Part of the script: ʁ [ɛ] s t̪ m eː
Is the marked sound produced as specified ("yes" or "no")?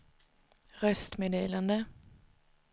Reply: no